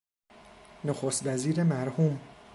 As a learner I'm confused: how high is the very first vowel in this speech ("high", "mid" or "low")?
mid